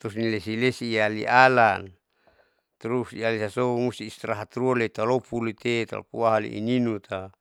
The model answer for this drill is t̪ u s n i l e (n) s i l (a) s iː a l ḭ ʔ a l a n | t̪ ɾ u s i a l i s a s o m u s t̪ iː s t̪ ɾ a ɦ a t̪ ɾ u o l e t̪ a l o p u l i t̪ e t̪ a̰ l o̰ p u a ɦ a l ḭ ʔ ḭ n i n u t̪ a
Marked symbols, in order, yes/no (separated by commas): no, no